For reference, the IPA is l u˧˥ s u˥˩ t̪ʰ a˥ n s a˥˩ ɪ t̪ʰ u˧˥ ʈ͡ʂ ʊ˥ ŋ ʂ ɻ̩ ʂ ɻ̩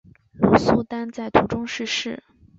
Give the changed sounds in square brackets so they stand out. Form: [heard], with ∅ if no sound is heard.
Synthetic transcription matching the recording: l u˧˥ s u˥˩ [t̪] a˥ n [t͡s] a˥˩ ɪ t̪ʰ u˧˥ ʈ͡ʂ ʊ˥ ŋ ʂ ɻ̩ ʂ ɻ̩